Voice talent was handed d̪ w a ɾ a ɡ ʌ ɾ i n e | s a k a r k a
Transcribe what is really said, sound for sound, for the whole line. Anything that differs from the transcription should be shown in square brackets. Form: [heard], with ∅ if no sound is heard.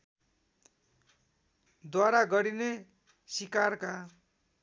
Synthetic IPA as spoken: d̪ w a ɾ a ɡ ʌ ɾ i n e | s [i] k a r k a